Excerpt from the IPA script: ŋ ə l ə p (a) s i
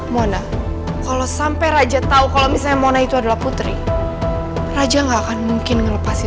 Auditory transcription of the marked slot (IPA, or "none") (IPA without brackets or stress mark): a